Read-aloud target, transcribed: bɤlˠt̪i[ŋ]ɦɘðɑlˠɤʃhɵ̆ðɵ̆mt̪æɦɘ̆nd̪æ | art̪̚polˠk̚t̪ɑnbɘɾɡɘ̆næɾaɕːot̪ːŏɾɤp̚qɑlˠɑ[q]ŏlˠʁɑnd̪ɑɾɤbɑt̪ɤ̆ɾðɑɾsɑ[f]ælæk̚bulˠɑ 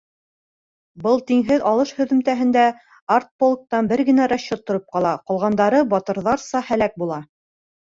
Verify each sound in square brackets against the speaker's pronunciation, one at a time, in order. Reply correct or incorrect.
correct, correct, incorrect: h

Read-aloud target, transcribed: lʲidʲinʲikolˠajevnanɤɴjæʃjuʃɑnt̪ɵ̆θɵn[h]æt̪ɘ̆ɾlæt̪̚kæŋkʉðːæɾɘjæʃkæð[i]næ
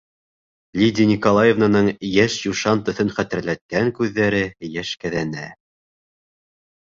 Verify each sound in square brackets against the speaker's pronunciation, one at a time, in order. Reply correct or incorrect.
incorrect: χ, incorrect: æ

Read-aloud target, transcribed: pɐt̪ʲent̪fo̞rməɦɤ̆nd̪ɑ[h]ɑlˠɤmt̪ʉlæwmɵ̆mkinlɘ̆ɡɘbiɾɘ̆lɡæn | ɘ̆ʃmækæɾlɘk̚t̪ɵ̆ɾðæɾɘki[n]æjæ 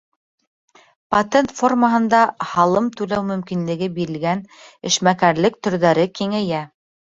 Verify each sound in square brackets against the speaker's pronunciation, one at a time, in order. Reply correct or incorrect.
correct, incorrect: ŋ

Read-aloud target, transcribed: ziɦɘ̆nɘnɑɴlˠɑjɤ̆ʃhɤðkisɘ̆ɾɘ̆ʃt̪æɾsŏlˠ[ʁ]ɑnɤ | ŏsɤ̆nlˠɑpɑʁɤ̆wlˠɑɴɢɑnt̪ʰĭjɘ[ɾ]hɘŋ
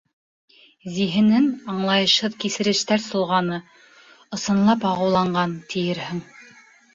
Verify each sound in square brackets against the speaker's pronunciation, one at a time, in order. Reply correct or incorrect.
correct, correct

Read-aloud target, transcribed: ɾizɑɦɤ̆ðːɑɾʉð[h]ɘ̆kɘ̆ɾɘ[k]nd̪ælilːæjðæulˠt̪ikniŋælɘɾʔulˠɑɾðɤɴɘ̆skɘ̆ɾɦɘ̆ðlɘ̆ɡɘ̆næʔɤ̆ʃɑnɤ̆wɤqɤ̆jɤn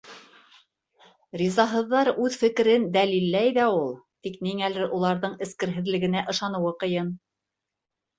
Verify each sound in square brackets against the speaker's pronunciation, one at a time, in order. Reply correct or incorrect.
incorrect: f, incorrect: none

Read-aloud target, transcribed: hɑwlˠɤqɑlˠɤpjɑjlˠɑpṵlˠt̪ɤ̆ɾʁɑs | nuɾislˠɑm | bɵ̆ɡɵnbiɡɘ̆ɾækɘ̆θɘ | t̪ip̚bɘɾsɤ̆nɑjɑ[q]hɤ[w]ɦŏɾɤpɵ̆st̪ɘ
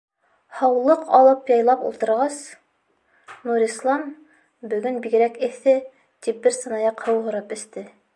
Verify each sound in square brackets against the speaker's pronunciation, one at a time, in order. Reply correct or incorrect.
correct, correct

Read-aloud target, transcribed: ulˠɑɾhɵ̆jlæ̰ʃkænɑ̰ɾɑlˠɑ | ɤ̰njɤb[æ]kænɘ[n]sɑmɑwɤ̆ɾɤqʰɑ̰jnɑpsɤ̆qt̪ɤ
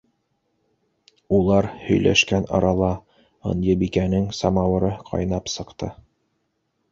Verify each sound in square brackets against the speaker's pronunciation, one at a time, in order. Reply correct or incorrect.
incorrect: i, incorrect: ŋ

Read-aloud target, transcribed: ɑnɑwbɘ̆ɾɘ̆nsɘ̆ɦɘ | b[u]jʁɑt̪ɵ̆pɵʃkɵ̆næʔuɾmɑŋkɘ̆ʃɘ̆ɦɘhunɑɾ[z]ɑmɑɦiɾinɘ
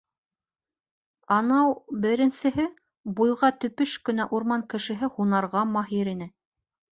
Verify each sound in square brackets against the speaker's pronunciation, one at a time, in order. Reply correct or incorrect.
correct, incorrect: ʁ

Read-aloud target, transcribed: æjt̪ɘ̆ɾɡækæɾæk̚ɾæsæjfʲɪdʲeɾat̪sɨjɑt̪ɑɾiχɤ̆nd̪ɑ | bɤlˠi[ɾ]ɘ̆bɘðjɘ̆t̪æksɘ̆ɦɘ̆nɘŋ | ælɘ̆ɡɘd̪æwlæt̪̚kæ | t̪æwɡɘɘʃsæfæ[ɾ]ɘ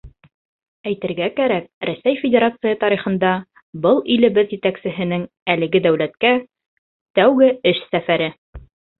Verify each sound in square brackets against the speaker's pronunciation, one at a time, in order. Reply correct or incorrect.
incorrect: l, correct

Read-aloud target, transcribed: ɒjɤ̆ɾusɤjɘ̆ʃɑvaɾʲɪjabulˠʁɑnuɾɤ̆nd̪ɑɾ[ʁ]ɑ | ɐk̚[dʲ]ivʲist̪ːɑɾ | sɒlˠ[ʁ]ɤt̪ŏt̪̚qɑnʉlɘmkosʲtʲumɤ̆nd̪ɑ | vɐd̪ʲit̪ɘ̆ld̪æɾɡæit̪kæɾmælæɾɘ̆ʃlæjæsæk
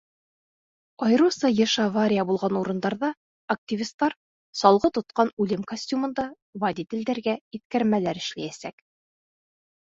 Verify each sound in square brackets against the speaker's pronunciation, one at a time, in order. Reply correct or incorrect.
incorrect: ð, incorrect: tʲ, correct

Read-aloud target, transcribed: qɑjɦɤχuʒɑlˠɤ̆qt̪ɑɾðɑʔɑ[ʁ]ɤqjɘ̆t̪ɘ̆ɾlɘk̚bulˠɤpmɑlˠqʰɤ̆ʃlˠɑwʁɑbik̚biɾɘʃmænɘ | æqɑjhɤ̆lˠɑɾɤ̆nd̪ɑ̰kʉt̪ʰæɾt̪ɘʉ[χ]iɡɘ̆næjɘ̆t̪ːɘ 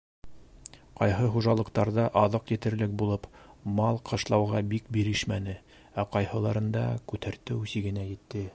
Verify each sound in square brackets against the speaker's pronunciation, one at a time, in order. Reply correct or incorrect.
incorrect: ð, incorrect: s

